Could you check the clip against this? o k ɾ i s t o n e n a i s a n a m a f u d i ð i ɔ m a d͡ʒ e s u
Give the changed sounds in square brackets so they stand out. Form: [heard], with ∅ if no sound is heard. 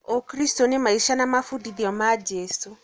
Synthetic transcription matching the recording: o k ɾ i s t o n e [m] a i [ʃ] a n a m a f u d i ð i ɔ m a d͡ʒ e s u